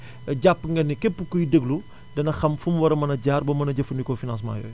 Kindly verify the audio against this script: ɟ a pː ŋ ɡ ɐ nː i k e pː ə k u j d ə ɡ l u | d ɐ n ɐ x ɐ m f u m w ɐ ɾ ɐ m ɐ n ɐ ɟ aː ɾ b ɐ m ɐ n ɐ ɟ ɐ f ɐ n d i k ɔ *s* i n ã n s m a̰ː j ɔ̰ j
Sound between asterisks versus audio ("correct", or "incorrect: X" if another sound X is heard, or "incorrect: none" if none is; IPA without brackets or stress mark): incorrect: f